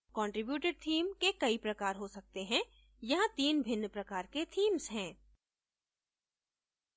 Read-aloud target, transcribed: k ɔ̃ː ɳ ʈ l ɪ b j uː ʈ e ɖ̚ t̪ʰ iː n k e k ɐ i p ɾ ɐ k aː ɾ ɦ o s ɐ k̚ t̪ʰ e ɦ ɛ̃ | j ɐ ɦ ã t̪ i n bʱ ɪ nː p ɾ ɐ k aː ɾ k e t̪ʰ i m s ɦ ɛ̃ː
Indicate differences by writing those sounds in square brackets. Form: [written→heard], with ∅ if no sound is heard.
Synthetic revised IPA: k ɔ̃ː ɳ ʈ [l→ɾ] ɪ b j uː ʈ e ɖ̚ t̪ʰ iː [n→m] k e k ɐ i p ɾ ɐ k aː ɾ ɦ o s ɐ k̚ [t̪ʰ→t̪] e ɦ ɛ̃ | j ɐ ɦ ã t̪ [i→iː] n bʱ ɪ nː p ɾ ɐ k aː ɾ k e t̪ʰ [i→iː] m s ɦ ɛ̃ː